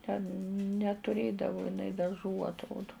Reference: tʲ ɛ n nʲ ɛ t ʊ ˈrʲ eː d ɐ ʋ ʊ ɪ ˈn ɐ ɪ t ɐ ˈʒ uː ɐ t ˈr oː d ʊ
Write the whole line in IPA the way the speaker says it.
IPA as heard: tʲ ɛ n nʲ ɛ t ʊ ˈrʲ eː d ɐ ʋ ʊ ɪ ˈn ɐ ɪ d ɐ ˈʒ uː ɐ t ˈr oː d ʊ